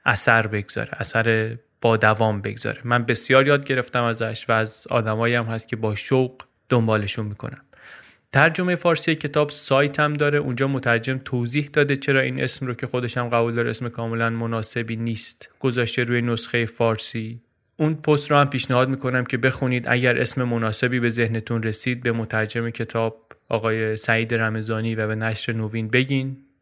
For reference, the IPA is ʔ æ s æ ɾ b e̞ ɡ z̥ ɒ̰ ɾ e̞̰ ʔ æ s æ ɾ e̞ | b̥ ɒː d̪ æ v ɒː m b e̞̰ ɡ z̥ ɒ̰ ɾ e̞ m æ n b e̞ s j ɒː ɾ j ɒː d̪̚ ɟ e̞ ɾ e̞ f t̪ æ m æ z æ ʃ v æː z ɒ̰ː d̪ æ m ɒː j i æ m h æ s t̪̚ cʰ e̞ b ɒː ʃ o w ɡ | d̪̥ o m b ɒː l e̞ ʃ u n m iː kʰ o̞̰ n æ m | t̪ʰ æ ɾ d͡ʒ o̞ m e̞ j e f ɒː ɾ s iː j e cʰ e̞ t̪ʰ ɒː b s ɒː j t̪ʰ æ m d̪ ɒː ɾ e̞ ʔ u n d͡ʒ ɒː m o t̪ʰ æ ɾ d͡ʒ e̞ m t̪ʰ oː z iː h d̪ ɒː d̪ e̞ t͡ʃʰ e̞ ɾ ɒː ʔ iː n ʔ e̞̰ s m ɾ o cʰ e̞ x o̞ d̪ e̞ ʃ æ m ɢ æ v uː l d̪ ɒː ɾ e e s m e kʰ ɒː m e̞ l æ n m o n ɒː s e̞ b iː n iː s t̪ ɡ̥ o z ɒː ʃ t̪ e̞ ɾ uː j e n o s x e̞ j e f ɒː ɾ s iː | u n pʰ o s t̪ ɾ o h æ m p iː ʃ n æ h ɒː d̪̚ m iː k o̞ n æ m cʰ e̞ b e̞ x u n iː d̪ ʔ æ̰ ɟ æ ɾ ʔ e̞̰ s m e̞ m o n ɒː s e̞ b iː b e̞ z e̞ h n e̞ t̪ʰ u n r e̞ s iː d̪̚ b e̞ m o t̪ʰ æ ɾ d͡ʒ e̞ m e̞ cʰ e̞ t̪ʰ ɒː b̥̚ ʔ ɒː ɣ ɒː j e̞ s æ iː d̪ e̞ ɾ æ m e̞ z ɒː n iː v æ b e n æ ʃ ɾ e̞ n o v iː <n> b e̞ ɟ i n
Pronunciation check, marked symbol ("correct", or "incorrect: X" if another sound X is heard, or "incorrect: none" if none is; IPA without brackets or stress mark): correct